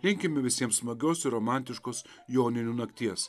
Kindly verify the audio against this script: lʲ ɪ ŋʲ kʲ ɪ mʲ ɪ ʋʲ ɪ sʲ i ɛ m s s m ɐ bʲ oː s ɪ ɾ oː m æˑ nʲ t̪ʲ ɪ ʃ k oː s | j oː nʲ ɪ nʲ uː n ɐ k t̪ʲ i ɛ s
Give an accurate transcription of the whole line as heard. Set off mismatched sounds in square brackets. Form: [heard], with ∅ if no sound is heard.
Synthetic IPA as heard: lʲ ɪ ŋʲ kʲ ɪ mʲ ɪ ʋʲ ɪ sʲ i ɛ m s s m ɐ [ɡʲ] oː s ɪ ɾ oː m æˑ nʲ t̪ʲ ɪ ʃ k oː s | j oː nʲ ɪ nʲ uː n ɐ k t̪ʲ i ɛ s